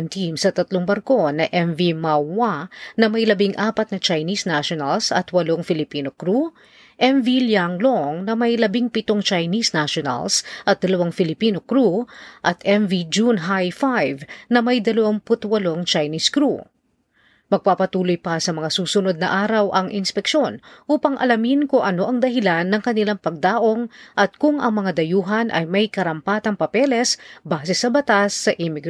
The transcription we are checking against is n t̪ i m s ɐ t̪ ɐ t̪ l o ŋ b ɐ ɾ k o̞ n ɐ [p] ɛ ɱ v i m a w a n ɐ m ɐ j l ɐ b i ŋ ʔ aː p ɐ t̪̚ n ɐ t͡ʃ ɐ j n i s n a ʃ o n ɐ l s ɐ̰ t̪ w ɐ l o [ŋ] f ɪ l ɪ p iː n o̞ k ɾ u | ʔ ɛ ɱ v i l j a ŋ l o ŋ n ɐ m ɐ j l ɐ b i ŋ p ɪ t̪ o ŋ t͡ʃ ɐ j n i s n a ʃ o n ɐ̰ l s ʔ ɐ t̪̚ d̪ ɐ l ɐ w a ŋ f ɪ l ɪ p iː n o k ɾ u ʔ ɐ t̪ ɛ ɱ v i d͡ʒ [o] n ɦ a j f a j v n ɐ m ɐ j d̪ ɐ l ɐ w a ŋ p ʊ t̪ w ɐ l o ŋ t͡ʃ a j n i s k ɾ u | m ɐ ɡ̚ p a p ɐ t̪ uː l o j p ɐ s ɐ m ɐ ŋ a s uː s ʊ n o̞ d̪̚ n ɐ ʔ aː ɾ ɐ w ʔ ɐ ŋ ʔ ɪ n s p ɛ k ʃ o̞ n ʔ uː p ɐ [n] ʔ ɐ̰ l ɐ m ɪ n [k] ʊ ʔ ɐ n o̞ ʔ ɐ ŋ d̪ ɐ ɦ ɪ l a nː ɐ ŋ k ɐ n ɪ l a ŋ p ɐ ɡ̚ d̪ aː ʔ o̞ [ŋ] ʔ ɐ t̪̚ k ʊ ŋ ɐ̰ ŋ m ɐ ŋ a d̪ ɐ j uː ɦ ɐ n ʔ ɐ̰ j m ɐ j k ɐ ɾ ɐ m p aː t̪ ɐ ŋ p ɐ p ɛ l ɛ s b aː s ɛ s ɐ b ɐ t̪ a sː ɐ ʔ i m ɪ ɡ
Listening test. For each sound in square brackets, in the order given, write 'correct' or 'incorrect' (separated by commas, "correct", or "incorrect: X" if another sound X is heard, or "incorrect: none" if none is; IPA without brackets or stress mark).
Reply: incorrect: ʔ, correct, incorrect: u, incorrect: ŋ, correct, correct